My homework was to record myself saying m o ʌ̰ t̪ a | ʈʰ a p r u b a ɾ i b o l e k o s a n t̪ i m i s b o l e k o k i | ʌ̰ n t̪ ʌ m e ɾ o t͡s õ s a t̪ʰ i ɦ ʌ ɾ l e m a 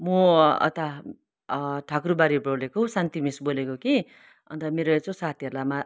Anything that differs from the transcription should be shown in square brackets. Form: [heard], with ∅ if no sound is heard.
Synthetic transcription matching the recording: m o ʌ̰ t̪ a | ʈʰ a [k] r u b a ɾ i b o l e k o s a n t̪ i m i s b o l e k o k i | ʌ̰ n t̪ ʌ m e ɾ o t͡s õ s a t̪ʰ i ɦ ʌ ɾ l [a] m a